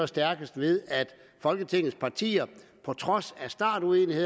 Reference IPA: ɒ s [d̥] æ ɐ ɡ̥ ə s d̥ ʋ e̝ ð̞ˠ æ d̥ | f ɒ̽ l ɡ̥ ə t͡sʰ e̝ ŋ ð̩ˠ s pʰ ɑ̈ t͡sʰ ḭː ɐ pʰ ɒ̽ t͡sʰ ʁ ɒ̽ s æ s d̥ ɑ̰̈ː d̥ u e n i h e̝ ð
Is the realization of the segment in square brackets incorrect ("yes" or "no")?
no